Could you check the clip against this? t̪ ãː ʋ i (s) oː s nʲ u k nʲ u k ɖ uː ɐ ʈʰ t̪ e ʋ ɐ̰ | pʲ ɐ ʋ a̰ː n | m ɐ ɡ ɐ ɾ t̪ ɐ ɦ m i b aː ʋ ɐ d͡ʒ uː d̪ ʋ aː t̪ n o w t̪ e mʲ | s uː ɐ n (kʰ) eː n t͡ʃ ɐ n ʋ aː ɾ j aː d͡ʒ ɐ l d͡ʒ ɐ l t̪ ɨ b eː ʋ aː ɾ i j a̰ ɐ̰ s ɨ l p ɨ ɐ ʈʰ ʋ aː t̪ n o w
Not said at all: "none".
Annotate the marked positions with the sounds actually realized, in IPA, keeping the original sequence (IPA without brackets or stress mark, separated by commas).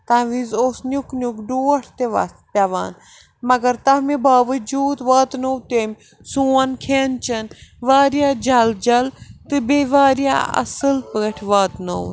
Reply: z, kʰ